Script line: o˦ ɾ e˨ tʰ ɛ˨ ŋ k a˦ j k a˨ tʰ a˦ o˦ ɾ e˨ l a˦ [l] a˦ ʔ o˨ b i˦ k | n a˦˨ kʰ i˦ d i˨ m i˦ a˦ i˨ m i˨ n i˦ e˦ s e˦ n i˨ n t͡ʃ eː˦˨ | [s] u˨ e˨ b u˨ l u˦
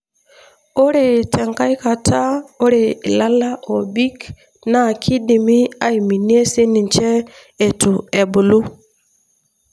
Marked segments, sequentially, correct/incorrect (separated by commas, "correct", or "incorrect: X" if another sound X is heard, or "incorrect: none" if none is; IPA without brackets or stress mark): correct, incorrect: t